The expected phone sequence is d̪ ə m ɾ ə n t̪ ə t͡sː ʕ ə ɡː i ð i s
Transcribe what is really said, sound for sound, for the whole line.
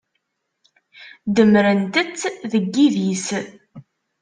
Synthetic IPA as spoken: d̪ ə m ɾ ə n t̪ ə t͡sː ð ə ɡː i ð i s

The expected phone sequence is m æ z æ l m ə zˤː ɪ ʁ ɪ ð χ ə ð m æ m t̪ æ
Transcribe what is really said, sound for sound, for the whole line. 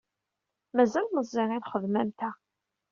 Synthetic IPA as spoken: m æ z æ l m ə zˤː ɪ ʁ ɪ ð χ ə ð m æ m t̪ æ

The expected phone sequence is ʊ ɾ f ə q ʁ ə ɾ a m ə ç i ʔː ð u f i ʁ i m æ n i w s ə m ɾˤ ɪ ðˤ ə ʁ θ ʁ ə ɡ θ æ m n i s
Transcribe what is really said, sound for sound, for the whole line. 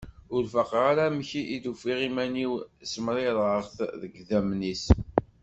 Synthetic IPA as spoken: ʊ ɾ f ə q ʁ a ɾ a m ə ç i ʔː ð u f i ʁ i m æ n i w s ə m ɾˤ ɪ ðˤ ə ʁ θ ð ə ɡ ð æ m n i s

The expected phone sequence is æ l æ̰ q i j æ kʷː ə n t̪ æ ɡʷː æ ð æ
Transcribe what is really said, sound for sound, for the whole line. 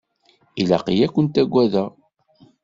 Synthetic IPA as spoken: i l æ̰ q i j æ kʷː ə n t̪ æ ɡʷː æ ð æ

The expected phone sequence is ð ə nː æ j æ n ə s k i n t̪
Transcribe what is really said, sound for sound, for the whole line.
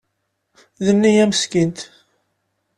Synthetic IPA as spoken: ð ə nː i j æ m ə s k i n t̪

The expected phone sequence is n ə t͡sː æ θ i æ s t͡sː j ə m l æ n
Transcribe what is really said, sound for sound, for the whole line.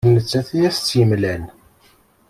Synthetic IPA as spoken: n ə t͡sː æ θ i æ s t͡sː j ə m l æ n

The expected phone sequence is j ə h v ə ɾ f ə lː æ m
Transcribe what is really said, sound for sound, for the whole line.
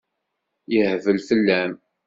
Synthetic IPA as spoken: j ə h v ə l f ə lː æ m

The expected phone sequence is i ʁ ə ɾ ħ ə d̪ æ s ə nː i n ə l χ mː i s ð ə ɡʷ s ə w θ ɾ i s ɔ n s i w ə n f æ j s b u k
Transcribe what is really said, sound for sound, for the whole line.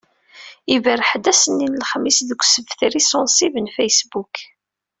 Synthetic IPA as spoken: i v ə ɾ ħ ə d̪ æ s ə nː i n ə l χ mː i s ð ə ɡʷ s ə v θ ɾ i s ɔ n s i v ə n f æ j s b u k

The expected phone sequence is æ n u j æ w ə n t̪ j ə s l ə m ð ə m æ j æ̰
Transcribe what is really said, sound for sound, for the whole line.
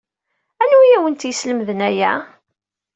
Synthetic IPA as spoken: æ n u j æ w ə n t̪ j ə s l ə m ð ə n æ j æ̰

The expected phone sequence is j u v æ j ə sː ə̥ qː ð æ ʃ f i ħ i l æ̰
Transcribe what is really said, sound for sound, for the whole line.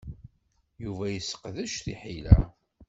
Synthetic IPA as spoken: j u v æ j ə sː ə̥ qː ð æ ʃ θ i ħ i l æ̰

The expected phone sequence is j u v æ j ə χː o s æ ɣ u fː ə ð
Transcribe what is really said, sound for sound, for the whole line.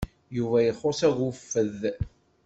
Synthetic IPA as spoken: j u v æ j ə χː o s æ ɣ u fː ə ð

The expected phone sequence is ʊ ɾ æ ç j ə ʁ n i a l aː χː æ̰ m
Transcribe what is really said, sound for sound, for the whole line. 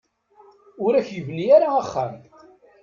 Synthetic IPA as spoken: ʊ ɾ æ ç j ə v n i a ɾ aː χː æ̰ m

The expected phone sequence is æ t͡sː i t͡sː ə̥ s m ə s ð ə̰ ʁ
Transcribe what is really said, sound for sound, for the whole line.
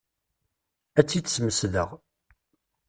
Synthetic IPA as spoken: æ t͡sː i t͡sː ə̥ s m ə s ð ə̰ ʁ

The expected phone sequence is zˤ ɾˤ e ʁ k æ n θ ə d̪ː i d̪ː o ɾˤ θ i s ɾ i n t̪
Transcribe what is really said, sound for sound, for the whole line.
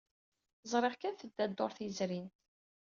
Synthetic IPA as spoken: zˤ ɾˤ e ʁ k æ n θ ə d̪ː æ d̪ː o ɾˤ θ i z ɾ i n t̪

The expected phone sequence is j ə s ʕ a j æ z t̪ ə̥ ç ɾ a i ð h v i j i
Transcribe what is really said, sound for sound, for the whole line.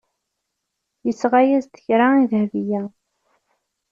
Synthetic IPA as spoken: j ə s ʁ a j æ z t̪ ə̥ ç ɾ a i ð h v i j æ

